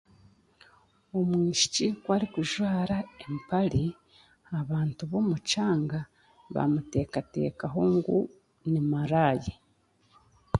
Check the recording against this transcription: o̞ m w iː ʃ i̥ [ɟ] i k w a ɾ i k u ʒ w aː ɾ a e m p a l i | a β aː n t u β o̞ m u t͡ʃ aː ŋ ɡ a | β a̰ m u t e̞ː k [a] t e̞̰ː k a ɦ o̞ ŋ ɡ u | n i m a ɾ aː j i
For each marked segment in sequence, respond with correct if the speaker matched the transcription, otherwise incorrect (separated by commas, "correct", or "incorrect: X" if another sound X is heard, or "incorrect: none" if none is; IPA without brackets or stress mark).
incorrect: c, correct